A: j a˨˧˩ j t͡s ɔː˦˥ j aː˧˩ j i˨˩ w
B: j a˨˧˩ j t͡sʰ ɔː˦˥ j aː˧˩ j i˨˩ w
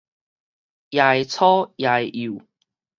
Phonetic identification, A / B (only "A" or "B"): B